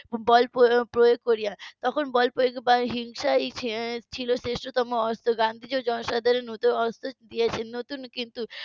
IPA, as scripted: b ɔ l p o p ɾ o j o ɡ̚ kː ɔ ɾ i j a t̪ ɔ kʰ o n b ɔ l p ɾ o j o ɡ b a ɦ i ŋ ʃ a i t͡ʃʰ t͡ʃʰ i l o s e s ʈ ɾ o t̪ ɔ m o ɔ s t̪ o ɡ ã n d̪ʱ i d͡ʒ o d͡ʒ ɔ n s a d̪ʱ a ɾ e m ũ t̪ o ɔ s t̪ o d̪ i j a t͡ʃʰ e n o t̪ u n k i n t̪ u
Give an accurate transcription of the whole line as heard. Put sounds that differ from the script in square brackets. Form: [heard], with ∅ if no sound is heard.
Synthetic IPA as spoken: b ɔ l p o p ɾ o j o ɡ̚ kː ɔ ɾ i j a t̪ ɔ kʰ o n b ɔ l p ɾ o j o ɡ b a ɦ i ŋ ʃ a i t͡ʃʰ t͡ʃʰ i l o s e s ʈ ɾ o t̪ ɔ m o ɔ s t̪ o ɡ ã n d̪ʱ i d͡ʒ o d͡ʒ ɔ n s a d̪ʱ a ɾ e [n] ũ t̪ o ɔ s t̪ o d̪ i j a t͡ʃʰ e n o t̪ u n k i n t̪ u